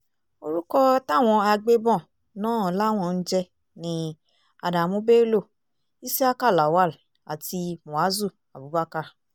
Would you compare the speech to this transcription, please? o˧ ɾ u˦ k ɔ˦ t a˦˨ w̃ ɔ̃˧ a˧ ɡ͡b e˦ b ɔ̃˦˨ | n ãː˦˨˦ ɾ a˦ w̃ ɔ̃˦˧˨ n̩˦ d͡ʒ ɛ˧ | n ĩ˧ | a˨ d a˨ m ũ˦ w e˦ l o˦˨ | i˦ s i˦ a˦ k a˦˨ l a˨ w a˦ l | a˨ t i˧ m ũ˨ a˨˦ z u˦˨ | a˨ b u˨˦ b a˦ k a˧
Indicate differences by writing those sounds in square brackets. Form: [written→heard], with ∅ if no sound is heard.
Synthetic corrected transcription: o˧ ɾ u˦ k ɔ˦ t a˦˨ w̃ ɔ̃˧ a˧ ɡ͡b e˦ b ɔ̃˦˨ | n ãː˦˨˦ [ɾ→l] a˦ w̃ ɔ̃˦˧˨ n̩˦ d͡ʒ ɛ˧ | n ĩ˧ | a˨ d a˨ m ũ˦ [w→b] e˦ l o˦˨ | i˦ s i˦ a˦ k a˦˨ l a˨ w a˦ l | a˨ t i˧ m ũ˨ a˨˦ z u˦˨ | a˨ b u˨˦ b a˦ k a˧